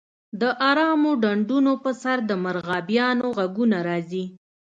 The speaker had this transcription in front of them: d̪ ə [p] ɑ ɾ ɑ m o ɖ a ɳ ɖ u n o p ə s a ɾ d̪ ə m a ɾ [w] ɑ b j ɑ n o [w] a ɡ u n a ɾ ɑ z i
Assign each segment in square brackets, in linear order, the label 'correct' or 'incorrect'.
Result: incorrect, incorrect, incorrect

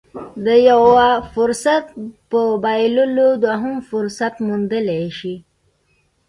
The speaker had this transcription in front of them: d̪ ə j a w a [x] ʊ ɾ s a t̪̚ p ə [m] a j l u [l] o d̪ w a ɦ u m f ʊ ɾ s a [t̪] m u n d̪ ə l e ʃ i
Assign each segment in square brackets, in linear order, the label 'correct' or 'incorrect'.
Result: incorrect, incorrect, correct, correct

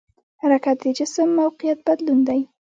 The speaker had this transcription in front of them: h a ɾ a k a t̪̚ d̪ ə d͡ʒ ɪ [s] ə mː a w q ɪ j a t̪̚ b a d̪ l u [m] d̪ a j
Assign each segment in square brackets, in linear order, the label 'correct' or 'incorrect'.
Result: correct, incorrect

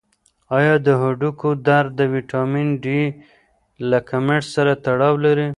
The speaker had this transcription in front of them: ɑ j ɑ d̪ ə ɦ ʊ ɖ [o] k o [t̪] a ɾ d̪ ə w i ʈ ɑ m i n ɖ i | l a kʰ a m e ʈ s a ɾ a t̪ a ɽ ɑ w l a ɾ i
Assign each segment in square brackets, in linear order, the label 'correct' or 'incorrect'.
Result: incorrect, incorrect

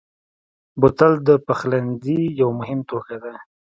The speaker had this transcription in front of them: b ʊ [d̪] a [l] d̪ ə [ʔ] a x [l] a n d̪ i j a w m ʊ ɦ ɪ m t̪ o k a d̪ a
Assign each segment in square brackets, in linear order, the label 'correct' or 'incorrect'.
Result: incorrect, correct, incorrect, correct

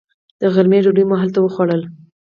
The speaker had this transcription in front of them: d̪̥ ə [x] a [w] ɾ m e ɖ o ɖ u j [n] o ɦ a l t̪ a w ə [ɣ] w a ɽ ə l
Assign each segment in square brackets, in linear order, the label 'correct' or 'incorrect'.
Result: incorrect, incorrect, incorrect, incorrect

